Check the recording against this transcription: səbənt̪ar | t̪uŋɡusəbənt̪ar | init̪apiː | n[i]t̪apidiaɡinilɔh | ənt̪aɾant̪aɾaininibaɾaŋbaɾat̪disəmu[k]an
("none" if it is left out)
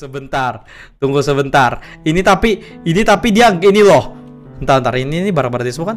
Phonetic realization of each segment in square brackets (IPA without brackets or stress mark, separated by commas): i, k